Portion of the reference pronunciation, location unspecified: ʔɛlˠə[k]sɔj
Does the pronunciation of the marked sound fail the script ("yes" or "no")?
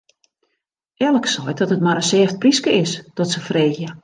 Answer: no